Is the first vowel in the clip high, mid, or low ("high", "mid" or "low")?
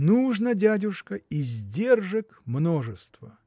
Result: high